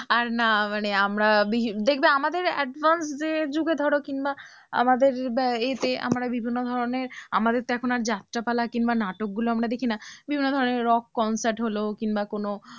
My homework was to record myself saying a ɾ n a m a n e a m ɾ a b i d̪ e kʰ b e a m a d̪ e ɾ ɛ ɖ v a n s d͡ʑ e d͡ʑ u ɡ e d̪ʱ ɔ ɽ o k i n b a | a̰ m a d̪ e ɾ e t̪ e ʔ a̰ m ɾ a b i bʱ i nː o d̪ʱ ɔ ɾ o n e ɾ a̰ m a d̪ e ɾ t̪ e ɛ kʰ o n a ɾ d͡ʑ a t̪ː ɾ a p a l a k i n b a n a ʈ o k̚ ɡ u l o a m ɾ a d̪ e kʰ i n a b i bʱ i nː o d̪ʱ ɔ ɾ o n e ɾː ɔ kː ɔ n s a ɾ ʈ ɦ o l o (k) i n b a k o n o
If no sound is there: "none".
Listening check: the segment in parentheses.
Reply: k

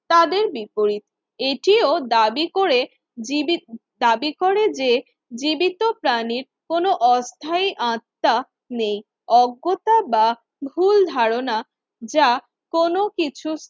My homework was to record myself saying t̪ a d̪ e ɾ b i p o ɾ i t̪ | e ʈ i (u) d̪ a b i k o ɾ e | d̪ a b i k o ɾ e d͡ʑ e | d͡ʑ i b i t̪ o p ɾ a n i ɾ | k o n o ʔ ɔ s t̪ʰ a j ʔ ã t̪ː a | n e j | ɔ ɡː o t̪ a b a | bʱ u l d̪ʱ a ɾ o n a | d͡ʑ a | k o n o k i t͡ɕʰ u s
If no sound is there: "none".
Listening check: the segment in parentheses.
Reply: o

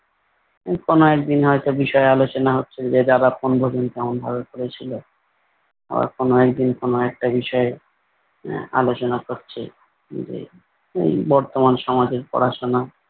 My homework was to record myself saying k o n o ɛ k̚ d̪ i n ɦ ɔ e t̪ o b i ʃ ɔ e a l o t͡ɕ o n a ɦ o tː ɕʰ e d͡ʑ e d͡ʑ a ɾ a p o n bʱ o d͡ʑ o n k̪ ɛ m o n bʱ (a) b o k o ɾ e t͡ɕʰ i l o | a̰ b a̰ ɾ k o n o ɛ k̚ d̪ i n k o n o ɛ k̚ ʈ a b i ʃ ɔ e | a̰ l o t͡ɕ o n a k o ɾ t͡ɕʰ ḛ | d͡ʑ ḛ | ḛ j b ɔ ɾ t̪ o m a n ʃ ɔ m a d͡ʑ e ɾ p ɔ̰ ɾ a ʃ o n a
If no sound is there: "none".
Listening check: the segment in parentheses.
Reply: a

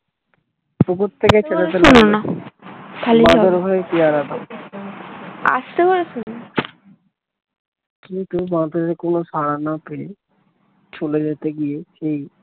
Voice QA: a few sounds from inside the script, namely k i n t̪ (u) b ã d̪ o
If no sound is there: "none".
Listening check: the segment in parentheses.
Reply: u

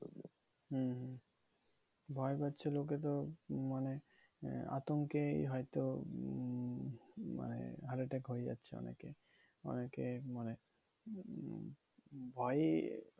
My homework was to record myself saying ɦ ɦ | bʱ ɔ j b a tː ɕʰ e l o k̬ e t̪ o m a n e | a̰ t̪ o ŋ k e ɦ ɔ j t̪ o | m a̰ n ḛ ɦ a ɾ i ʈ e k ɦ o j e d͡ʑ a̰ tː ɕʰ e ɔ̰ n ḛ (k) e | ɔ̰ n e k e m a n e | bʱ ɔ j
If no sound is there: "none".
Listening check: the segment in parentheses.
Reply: k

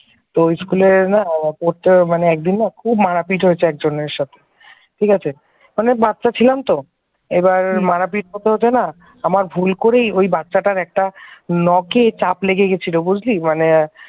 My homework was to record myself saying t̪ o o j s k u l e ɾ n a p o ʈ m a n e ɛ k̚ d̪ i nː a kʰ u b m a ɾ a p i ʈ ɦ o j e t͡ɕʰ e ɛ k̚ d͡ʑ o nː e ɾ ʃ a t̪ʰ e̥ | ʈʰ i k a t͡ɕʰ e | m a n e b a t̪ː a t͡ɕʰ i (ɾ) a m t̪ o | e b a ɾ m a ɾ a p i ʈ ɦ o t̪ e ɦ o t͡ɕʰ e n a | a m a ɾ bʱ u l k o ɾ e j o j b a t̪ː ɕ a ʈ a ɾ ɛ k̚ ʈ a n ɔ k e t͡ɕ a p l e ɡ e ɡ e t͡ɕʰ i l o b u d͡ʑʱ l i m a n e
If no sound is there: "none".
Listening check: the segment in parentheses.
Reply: l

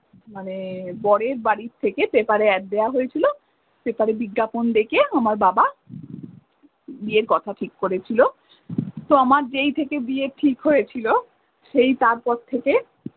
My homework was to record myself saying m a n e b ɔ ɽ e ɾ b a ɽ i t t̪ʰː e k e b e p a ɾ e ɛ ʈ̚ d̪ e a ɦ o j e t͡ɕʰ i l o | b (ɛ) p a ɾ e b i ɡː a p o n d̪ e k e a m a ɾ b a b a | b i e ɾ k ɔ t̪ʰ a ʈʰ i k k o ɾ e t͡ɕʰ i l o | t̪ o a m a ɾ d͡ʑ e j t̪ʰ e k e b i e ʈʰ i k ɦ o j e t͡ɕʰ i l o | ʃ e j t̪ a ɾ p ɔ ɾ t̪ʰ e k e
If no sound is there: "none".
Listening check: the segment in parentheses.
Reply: e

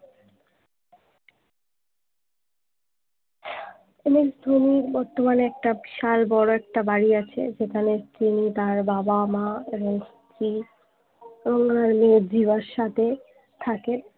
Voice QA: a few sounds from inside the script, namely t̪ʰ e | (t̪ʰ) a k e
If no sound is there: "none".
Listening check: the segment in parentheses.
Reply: t̪ʰ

